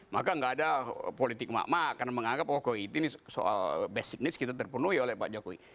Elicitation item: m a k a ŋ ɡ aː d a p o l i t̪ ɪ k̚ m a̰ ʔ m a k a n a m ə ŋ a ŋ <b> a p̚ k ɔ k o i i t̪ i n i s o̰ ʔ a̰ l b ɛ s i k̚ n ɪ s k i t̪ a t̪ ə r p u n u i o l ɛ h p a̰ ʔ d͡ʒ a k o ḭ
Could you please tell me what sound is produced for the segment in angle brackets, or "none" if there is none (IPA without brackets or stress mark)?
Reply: ɡ